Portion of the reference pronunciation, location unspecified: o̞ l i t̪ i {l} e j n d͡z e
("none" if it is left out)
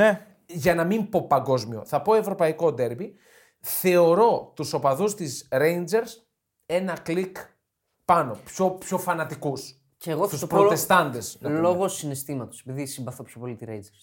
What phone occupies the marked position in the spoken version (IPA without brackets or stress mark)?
ɾ